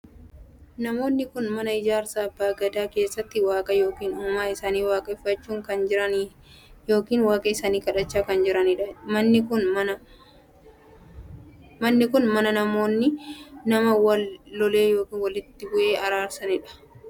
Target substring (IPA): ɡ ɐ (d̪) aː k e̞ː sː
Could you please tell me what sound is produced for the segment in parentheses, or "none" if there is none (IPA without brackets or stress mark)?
d̪